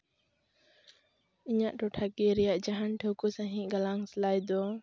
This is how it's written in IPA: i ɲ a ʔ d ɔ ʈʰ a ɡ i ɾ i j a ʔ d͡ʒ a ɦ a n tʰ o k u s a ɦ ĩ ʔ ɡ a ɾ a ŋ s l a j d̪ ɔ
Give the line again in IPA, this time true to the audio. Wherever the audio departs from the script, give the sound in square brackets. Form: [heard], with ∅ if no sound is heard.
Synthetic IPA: i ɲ a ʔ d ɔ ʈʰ a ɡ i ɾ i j a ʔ d͡ʒ a ɦ a n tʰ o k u s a ɦ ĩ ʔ ɡ a [l] a ŋ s l a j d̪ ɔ